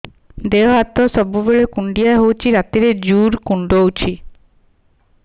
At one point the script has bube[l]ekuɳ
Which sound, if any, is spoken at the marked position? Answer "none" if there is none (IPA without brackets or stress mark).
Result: ɭ